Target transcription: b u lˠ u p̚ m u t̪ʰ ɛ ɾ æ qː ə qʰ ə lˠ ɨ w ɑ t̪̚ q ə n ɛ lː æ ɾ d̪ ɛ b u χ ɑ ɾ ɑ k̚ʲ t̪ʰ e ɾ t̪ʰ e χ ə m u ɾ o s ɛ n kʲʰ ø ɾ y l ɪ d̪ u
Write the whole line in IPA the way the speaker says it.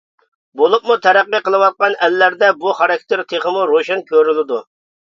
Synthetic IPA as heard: b o lˠ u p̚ m u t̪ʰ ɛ ɾ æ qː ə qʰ ə lˠ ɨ w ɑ t̪̚ q ɑ n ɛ lː æ ɾ d̪ ɛ b u χ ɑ ɾ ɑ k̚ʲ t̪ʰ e ɾ t̪ʰ e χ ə m u ɾ o ʃ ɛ n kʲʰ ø ɾ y l ɪ d̪ u

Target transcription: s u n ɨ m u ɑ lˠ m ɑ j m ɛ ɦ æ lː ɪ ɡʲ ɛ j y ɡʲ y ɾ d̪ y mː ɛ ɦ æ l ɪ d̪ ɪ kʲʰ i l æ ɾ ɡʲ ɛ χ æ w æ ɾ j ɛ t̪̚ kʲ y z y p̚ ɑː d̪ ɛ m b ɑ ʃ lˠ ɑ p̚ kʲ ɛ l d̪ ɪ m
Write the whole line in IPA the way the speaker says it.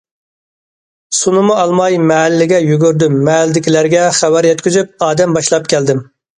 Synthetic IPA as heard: s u n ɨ m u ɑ lˠ m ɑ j m ɛ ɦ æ lː ɪ ɡʲ ɛ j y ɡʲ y ɾ d̪ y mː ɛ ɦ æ l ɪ d̪ ɪ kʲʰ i l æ ɾ ɡʲ ɛ χ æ w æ ɾ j ɛ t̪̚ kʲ y z y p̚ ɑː d̪ ɛ m b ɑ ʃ lˠ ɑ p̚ kʲ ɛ l d̪ ɪ m

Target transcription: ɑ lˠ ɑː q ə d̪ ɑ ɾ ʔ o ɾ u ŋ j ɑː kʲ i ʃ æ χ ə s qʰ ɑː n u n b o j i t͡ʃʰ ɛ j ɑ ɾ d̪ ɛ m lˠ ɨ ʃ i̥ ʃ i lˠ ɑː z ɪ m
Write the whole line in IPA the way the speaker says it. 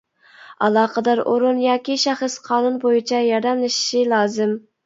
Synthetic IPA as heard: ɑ lˠ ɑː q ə d̪ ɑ ɾ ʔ o ɾ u n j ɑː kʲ i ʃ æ χ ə s qʰ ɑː n u n b o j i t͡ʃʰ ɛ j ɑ ɾ d̪ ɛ m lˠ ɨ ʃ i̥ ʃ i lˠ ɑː z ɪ m

